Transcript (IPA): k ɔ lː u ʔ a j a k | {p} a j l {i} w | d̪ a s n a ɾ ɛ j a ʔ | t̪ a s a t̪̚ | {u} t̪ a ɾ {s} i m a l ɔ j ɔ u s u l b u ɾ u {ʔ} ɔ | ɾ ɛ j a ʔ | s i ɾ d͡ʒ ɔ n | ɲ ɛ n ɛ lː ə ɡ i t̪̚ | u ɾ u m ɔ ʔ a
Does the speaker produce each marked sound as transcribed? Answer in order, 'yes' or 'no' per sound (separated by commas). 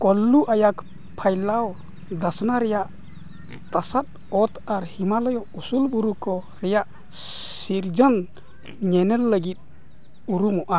no, no, no, no, no